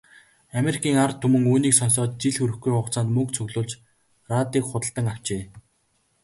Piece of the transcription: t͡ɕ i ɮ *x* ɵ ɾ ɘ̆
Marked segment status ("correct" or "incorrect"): correct